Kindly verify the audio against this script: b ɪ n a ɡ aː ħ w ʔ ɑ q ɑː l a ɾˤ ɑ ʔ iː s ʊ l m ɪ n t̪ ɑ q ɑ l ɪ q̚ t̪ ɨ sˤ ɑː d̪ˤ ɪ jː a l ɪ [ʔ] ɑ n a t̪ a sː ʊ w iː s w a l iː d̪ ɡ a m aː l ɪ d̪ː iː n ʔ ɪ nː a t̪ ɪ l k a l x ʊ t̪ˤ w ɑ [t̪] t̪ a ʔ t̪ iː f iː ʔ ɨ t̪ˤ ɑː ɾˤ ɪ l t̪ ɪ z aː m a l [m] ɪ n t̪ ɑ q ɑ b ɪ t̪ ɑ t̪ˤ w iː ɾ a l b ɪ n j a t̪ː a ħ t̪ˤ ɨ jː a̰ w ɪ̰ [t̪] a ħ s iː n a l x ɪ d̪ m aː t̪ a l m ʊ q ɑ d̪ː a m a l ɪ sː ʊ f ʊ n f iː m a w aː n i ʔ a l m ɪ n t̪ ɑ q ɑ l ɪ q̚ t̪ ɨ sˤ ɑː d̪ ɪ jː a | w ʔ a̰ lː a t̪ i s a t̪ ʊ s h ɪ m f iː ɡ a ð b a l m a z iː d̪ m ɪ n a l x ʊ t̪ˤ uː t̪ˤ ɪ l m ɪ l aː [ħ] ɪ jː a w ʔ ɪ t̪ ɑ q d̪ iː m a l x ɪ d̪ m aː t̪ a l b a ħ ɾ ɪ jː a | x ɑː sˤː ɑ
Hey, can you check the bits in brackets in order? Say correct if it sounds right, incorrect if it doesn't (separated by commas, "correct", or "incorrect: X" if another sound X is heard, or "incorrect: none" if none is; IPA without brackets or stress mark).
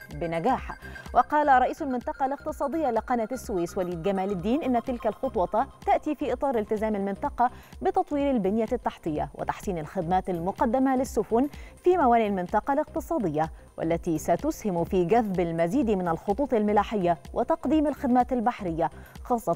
incorrect: q, correct, correct, correct, correct